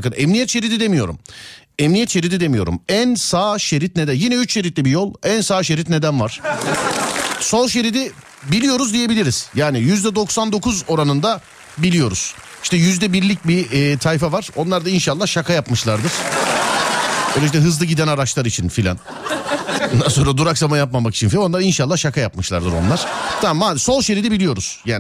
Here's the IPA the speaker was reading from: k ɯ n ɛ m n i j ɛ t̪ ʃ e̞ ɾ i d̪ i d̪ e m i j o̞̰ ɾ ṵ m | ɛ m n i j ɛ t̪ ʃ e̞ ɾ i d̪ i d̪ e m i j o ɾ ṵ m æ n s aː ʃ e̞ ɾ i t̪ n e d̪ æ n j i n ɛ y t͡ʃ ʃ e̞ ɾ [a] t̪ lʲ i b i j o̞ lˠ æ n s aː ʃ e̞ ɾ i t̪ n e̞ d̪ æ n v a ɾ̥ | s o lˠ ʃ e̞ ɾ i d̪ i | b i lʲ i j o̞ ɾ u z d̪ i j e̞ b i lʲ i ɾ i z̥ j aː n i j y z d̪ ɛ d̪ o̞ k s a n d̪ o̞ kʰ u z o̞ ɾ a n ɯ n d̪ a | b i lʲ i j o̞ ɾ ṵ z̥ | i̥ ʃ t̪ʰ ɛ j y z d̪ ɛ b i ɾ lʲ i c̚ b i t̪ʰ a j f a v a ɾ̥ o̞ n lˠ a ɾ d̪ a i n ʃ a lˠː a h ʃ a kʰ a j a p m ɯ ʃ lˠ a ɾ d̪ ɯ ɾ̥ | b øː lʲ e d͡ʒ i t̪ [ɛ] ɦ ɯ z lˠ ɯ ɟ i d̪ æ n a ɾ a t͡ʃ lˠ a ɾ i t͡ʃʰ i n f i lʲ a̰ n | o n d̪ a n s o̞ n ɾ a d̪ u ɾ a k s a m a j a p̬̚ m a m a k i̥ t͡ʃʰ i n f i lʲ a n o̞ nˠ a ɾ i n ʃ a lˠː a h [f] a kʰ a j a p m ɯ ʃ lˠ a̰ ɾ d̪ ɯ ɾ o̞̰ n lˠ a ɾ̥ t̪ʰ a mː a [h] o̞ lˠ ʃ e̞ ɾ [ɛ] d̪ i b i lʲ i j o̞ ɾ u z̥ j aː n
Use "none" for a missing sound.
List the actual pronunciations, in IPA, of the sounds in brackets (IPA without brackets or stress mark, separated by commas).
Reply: i, ɛ, ʃ, s, i